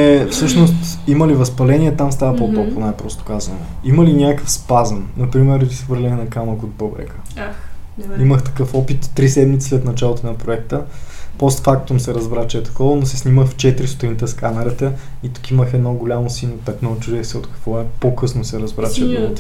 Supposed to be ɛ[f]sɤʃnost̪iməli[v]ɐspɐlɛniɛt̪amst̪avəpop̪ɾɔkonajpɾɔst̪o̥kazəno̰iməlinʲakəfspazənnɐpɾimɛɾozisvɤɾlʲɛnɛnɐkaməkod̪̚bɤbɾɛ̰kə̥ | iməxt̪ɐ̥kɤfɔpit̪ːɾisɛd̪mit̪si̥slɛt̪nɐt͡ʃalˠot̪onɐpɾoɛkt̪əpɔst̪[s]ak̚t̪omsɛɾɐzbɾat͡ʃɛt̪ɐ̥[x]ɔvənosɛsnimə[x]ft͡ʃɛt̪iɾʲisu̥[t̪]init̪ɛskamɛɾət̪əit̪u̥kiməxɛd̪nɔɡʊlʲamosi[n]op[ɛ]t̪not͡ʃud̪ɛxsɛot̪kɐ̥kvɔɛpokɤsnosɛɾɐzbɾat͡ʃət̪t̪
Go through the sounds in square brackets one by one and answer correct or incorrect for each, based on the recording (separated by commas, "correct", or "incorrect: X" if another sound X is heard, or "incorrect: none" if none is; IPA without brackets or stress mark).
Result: correct, correct, incorrect: f, incorrect: k, correct, correct, correct, correct